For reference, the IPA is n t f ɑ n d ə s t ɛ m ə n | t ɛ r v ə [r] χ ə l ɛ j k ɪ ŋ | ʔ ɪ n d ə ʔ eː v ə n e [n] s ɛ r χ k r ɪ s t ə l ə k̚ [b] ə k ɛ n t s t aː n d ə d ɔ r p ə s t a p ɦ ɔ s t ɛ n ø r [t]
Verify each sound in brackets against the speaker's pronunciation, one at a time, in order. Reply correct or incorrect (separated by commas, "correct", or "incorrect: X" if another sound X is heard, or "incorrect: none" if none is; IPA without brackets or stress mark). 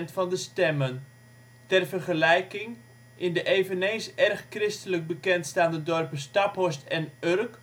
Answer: correct, correct, correct, incorrect: k